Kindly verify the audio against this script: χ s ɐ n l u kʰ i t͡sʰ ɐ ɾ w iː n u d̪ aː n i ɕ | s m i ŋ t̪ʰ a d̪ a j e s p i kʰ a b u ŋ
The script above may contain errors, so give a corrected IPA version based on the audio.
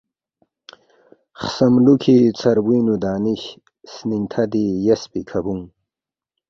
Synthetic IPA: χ s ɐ m l u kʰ i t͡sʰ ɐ ɾ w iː n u d̪ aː n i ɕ | s n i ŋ t̪ʰ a d̪ i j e s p i kʰ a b u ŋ

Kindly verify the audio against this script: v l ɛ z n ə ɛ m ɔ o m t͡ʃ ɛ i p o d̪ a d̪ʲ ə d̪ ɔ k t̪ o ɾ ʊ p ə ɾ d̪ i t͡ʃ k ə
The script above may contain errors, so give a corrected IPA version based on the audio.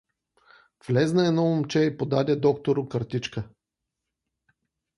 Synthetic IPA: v l ɛ z n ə ɛ n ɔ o m t͡ʃ ɛ i p o d̪ a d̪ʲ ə d̪ ɔ k t̪ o ɾ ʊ k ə ɾ t̪ i t͡ʃ k ə

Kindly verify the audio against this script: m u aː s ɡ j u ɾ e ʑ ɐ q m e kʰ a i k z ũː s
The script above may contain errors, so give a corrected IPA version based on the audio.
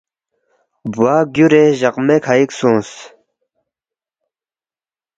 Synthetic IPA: b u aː ɡ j u ɾ e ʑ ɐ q m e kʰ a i k s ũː s

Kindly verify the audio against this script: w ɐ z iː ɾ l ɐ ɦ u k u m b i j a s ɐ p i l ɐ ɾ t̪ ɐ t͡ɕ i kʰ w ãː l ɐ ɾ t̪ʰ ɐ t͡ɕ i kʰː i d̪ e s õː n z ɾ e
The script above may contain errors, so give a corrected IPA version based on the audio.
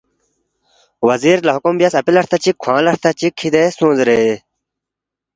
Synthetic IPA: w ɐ z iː ɾ l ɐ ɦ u k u m b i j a s ɐ p i l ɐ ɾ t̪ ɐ t͡ɕ i kʰ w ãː l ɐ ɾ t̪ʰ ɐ t͡ɕ i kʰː i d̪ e s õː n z ɾ e

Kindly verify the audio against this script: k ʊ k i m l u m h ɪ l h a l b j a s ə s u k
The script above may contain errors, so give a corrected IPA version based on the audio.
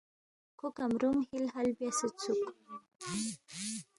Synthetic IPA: k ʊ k a m ɾ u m h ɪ l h a l b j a s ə t͡s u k

